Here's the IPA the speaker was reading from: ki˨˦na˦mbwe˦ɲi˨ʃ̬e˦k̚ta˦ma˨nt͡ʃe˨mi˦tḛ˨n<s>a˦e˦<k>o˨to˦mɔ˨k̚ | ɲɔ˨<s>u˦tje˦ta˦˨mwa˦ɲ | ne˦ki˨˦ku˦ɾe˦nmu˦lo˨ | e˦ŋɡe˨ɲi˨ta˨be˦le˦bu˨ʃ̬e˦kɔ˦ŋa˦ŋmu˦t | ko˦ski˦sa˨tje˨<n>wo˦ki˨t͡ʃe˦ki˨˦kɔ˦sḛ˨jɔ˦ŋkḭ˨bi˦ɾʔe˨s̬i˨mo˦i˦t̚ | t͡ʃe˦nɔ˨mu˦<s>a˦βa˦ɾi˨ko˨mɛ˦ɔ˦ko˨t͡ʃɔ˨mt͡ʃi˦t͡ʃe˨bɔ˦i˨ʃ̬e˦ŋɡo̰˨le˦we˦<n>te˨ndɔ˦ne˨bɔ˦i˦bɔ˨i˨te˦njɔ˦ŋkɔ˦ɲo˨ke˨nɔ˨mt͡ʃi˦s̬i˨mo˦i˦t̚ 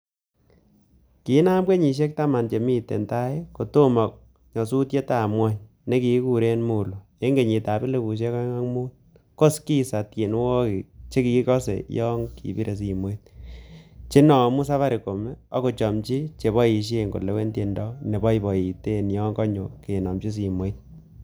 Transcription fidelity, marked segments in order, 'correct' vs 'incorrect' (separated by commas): incorrect, correct, correct, correct, correct, correct